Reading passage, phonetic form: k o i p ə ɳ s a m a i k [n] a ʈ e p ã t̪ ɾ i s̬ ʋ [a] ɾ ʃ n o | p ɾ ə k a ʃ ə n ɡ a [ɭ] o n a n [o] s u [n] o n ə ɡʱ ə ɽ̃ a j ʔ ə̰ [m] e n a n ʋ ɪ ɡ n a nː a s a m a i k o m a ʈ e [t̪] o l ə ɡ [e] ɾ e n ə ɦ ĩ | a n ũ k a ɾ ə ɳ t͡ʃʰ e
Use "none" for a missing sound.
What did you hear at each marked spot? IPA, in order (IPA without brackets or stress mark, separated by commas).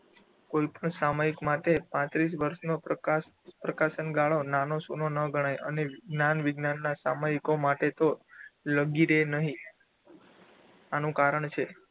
m, ə, ɭ, o, n, n, t̪, i